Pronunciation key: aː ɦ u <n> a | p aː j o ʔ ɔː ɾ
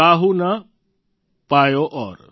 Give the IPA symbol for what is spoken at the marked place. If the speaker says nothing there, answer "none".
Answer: n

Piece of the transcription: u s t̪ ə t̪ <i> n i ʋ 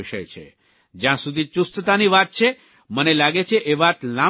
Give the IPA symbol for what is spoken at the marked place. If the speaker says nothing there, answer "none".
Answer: a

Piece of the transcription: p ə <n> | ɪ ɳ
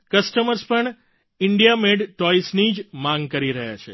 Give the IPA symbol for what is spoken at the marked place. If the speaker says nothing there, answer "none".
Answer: ɳ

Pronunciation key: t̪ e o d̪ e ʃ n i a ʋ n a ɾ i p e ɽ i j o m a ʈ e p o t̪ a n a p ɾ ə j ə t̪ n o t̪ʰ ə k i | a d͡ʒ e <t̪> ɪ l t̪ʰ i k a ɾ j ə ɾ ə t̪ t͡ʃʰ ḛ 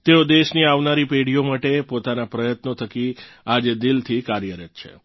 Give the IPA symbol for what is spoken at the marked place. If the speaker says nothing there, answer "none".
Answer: d̪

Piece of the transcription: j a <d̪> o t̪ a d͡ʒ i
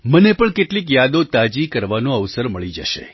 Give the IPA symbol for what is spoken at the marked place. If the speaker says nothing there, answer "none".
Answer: d̪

